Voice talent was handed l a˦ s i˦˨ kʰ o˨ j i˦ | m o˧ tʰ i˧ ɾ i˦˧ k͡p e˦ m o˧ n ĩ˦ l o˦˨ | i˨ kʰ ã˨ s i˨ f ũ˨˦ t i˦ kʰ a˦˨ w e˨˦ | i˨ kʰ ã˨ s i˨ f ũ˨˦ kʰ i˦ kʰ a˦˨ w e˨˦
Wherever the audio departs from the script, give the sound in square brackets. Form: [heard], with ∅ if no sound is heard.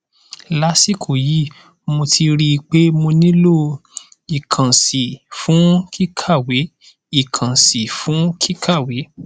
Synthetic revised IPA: l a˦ s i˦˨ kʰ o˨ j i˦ | m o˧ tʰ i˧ ɾ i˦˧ k͡p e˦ m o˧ n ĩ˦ l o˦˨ | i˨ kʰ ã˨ s i˨ f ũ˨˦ [k] i˦ kʰ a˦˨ w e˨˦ | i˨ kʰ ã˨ s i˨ f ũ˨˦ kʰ i˦ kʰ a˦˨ w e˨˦